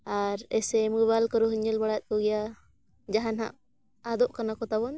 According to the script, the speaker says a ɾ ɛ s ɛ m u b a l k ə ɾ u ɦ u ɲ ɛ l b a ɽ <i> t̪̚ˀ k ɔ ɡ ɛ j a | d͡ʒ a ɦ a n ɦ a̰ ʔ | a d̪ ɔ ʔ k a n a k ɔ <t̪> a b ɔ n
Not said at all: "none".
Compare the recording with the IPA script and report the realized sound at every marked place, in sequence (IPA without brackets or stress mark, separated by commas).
a, t̪